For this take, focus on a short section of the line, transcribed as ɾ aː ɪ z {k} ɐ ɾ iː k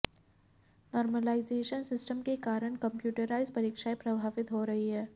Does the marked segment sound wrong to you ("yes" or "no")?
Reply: yes